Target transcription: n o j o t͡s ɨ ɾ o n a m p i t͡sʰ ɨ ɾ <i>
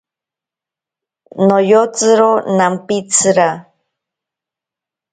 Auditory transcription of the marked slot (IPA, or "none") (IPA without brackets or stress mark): a